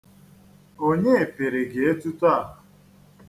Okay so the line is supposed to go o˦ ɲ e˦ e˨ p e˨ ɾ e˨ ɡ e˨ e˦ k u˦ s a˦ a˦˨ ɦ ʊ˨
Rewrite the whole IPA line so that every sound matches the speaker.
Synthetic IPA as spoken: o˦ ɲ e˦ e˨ p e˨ ɾ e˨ ɡ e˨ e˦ t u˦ t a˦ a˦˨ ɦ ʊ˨